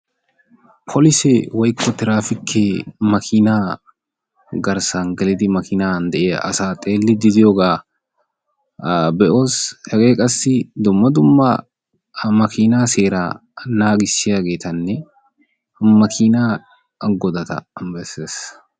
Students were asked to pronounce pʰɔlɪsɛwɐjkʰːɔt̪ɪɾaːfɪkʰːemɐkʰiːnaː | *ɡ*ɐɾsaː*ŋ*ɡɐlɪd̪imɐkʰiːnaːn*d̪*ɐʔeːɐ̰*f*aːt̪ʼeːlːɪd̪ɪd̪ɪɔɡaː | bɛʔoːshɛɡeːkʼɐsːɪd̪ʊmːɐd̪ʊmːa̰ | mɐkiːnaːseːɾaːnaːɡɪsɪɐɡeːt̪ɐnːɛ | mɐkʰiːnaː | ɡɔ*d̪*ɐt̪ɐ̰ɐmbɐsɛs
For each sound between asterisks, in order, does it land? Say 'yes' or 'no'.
yes, yes, yes, no, yes

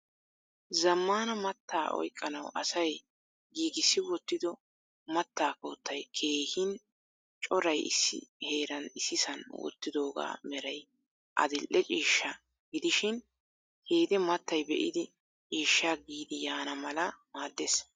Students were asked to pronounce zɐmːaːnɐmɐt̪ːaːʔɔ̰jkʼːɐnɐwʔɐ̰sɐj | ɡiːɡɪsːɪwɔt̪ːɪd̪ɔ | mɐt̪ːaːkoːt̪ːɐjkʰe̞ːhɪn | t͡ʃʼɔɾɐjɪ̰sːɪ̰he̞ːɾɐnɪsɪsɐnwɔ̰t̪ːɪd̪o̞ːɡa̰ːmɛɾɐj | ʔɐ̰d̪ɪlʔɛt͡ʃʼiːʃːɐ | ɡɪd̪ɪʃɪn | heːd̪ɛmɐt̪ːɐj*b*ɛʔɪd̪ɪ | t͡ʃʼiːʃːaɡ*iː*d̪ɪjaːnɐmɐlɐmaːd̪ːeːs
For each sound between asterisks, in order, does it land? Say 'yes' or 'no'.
yes, yes

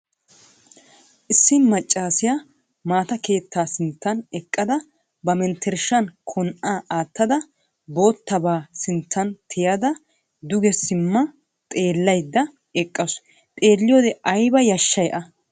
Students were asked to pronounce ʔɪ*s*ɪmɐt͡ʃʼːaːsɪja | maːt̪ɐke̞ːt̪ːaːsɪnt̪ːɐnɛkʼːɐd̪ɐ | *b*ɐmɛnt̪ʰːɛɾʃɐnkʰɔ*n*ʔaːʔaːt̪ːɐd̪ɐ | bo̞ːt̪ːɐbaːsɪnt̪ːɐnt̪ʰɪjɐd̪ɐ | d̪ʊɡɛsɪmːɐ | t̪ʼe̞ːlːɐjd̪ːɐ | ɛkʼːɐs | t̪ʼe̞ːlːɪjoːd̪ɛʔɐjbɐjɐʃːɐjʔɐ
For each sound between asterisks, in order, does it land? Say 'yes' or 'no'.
no, yes, yes

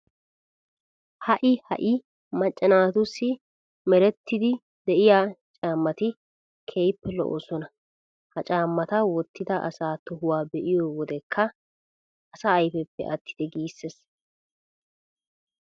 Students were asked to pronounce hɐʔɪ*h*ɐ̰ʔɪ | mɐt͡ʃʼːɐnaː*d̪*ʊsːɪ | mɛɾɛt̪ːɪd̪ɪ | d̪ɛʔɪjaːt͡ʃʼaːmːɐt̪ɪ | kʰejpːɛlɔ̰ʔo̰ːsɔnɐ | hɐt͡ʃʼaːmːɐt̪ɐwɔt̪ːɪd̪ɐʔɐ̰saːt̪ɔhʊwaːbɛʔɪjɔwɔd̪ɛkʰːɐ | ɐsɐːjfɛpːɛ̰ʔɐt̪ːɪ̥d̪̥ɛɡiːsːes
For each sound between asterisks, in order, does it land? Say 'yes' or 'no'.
yes, no

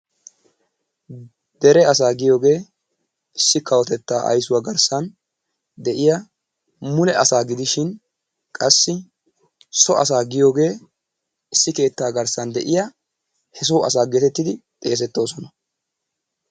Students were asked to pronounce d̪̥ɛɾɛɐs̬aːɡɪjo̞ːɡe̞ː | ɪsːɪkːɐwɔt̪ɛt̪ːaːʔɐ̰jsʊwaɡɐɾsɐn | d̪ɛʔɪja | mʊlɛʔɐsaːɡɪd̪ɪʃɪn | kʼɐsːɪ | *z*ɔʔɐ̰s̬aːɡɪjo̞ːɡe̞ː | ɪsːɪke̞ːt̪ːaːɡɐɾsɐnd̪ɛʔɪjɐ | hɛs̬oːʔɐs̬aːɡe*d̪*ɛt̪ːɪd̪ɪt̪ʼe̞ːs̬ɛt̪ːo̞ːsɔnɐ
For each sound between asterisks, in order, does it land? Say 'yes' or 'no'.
no, no

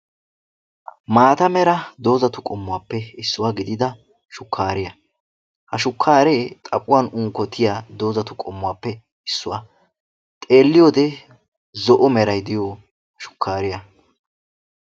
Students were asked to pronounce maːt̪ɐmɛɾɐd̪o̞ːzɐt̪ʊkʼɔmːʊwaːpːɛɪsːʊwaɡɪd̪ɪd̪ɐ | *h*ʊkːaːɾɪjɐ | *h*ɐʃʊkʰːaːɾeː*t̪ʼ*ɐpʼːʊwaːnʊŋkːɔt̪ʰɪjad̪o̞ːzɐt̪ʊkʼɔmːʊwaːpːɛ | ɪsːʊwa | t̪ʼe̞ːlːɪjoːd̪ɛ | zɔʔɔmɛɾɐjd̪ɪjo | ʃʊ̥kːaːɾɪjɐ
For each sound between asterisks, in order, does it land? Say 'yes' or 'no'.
no, yes, yes

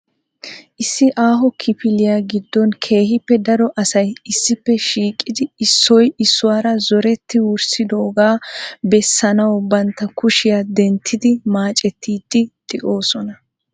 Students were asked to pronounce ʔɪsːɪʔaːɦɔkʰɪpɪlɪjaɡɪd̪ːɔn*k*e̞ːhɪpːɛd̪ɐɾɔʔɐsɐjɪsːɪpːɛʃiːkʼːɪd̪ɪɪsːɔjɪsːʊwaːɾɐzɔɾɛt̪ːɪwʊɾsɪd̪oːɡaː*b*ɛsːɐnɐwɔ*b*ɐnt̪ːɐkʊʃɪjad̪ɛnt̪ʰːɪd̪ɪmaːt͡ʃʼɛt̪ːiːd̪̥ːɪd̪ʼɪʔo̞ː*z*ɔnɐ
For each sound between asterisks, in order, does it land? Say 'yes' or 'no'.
no, yes, yes, no

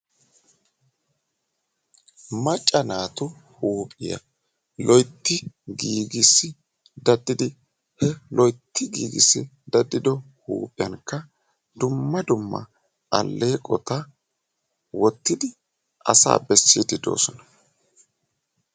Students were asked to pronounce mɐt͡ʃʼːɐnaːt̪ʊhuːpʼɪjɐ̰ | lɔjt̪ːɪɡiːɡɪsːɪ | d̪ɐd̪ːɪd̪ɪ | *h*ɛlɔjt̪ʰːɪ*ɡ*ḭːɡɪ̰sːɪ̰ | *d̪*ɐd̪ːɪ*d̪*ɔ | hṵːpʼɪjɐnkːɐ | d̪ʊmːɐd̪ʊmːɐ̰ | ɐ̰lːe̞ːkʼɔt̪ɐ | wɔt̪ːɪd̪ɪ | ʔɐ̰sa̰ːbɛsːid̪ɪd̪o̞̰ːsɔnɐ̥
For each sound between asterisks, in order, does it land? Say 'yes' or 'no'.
yes, yes, yes, yes

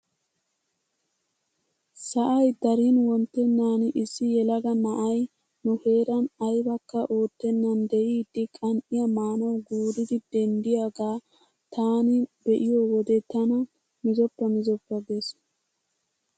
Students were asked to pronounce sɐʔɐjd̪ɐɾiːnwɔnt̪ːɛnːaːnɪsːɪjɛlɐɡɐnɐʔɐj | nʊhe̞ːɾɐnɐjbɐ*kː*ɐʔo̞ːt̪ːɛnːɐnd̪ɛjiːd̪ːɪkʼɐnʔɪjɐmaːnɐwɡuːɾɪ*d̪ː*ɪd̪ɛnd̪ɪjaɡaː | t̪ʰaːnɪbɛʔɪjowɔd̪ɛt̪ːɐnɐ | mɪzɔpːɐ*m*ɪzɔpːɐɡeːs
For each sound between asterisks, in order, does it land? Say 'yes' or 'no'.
yes, no, yes

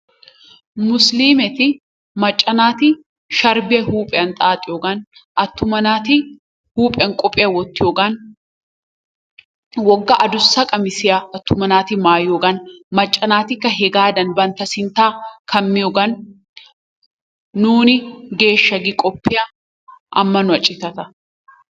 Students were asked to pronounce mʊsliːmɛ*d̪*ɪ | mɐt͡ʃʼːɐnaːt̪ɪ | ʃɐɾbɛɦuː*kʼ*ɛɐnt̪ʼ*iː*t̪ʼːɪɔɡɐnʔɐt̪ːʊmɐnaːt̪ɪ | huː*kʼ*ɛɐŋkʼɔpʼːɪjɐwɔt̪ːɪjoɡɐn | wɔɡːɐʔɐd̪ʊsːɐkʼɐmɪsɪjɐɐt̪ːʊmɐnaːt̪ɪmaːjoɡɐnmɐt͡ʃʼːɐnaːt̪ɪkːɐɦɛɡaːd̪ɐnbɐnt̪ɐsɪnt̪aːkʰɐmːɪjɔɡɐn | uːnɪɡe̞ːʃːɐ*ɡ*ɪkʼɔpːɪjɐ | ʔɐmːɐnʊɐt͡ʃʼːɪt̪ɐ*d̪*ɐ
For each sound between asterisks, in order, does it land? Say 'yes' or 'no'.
no, no, no, no, yes, no

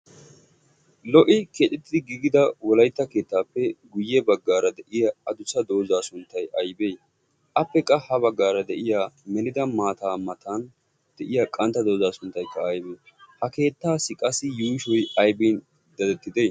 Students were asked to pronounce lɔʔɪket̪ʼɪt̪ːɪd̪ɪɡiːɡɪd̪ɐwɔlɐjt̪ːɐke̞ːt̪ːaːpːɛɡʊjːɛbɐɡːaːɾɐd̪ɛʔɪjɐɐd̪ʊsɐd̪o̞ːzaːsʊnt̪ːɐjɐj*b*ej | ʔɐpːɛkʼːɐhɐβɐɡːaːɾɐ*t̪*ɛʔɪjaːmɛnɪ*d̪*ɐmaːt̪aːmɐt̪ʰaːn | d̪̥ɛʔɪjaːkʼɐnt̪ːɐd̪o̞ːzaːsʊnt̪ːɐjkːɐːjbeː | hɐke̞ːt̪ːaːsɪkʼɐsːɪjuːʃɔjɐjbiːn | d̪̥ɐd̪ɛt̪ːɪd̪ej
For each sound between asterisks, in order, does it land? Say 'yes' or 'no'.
yes, no, yes

